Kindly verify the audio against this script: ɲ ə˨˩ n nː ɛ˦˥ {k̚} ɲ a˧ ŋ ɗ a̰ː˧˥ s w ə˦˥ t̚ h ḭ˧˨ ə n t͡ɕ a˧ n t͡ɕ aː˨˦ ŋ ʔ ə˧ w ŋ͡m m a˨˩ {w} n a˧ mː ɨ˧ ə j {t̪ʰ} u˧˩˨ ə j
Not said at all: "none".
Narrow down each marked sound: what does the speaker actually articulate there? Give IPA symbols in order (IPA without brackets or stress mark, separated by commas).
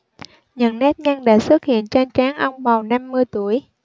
t̚, w, t̪